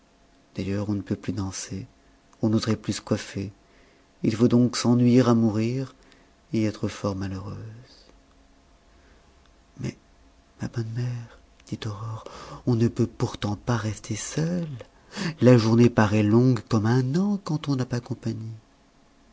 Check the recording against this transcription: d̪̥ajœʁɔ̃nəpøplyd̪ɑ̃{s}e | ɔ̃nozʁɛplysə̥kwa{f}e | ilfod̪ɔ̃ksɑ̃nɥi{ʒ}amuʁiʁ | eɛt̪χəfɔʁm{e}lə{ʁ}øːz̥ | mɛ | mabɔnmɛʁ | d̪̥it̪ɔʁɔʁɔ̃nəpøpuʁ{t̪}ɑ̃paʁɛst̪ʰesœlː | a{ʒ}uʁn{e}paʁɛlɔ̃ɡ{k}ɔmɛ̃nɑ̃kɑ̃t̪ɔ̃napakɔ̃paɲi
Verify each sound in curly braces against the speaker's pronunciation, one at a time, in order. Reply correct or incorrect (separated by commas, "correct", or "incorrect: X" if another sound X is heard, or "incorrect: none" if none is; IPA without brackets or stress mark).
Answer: correct, correct, incorrect: ʁ, incorrect: a, correct, correct, correct, correct, correct